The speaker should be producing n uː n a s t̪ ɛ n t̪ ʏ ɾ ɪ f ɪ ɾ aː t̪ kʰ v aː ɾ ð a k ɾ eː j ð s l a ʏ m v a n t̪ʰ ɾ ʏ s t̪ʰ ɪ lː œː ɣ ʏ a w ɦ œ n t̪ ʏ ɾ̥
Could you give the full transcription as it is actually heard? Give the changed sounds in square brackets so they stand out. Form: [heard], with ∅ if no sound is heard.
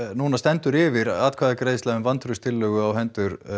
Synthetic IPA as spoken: n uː n a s t̪ ɛ n t̪ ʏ ɾ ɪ [v] ɪ ɾ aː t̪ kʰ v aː [∅] ð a k ɾ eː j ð s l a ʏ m v a n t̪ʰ ɾ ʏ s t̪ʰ ɪ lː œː ɣ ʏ a w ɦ [ɛ] n t̪ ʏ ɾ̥